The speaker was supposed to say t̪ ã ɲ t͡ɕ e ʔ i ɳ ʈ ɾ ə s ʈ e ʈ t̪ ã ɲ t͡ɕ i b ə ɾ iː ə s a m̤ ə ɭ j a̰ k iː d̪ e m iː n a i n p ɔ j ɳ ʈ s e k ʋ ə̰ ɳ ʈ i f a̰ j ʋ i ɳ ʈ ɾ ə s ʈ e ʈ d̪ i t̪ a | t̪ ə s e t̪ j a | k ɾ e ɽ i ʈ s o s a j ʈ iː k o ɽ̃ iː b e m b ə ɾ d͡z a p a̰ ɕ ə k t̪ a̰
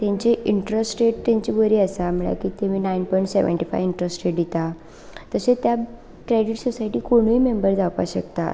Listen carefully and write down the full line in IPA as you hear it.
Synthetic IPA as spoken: t̪ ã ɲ t͡ɕ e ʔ i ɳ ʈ ɾ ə s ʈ e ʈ t̪ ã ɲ t͡ɕ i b ə ɾ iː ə s a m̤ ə ɭ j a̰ k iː t̪ e m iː n a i n p ɔ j ɳ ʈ s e ʋ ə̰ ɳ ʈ i f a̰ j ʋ i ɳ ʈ ɾ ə s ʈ e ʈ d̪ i t̪ a | t̪ ə s e t̪ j a | k ɾ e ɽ i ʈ s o s a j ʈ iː k o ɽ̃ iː m e m b ə ɾ d͡z a p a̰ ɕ ə k t̪ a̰